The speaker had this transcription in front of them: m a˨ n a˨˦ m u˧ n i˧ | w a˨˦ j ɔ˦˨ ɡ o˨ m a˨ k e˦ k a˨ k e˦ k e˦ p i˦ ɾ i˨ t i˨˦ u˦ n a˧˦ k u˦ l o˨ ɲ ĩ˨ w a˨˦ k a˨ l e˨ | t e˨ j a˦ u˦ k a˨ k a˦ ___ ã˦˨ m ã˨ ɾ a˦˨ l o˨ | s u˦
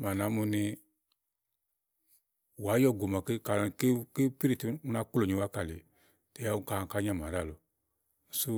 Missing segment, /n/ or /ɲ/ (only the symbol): ɲ